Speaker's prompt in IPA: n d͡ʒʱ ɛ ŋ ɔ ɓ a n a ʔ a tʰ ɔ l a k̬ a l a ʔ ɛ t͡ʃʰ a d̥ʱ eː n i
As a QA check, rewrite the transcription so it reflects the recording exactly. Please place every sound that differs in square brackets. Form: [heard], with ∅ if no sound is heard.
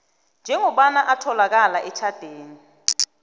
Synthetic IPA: n d͡ʒʱ ɛ ŋ ɔ ɓ a n a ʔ a tʰ ɔ l a k̬ a l a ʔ ɛ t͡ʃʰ a d̥ʱ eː n i